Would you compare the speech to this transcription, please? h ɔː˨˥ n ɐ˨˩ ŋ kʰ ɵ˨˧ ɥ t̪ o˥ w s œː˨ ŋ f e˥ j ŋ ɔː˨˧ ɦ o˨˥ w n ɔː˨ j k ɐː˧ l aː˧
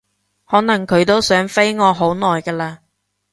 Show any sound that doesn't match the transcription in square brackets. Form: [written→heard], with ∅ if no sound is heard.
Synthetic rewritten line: h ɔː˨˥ n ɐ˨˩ ŋ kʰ ɵ˨˧ ɥ t̪ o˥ w s [œː˨→œː˨˥] ŋ f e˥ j ŋ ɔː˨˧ ɦ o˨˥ w n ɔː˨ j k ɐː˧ l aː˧